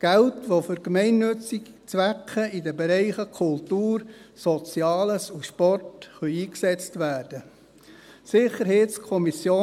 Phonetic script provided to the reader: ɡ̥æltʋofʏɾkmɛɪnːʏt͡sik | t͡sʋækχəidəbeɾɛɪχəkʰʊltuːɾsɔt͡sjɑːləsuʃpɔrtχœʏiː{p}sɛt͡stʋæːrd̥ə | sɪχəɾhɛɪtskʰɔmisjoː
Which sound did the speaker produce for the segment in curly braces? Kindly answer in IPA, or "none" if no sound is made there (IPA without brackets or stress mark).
k